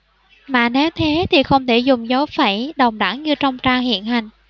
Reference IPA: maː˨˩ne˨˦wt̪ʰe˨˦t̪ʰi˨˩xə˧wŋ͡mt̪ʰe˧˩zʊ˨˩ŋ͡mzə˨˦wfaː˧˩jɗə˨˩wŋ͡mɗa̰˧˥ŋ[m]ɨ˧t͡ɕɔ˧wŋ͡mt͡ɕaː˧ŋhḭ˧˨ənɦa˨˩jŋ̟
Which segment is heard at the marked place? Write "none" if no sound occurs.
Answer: ɲ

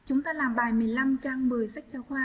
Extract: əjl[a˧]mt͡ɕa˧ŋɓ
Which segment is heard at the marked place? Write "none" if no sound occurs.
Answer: a˧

